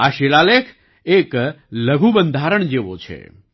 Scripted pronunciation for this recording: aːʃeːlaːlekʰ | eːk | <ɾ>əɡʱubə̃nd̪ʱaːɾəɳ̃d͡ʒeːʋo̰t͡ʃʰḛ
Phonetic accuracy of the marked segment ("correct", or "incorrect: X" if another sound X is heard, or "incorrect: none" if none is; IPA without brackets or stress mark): incorrect: l